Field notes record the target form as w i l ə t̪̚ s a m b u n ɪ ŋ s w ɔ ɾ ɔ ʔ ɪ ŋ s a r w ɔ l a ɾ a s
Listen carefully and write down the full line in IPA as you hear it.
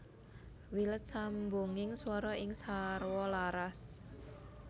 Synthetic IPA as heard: w i l ə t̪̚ s a m b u ŋ ɪ ŋ s w ɔ ɾ ɔ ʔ ɪ ŋ s a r w ɔ l a ɾ a s